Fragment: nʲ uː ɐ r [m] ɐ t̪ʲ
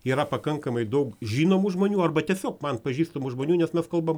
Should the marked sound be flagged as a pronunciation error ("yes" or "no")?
yes